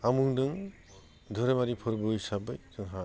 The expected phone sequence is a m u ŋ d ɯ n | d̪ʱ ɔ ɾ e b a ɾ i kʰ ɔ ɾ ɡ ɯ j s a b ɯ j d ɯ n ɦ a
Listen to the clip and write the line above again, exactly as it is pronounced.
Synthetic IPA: a m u ŋ d ɯ ŋ | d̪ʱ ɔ ɾ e m a ɾ i pʰ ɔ ɾ b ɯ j s a b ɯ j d ɯ ŋ ɦ a